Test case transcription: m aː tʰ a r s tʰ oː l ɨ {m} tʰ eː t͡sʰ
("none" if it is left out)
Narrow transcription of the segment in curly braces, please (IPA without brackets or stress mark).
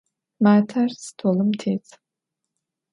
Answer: m